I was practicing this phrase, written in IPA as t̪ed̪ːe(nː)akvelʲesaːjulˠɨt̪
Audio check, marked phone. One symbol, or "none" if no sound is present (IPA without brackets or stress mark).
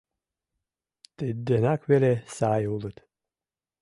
n